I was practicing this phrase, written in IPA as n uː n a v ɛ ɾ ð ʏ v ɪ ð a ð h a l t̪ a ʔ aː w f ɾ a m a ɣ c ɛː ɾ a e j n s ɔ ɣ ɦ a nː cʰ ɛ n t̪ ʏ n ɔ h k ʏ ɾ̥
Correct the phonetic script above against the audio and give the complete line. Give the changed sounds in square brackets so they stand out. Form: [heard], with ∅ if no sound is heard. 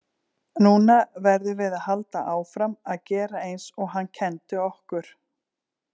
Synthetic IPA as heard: n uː n a v ɛ ɾ ð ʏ v ɪ ð a ð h a l t̪ a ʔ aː w f ɾ a m a [ð] c ɛː ɾ a e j n s ɔ ɣ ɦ a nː cʰ ɛ n t̪ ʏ [∅] ɔ h k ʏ ɾ̥